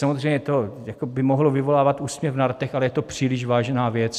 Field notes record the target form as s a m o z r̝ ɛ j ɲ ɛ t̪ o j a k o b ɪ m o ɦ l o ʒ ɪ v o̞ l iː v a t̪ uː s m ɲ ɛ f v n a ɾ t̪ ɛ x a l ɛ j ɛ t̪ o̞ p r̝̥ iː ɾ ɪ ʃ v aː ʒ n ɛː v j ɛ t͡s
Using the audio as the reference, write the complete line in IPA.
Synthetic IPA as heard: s a m o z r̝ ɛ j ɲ ɛ t̪ o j a k o b ɪ m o ɦ l o v ɪ v o̞ l aː v a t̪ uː s m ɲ ɛ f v n a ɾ t̪ ɛ x a l ɛ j ɛ t̪ o̞ p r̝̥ iː l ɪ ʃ v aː ʒ n aː v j ɛ t͡s